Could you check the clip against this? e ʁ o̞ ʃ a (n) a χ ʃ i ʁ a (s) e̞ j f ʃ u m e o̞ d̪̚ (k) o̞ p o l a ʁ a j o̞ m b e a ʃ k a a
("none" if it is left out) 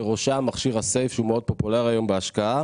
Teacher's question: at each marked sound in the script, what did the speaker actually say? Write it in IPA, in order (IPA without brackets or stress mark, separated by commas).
m, s, p